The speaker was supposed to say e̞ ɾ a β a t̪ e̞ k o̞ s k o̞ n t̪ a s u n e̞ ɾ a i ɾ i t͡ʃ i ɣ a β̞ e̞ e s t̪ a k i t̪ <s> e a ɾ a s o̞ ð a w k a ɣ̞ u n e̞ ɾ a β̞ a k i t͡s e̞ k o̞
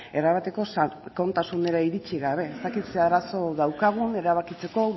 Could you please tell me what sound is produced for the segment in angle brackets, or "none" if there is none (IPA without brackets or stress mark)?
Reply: s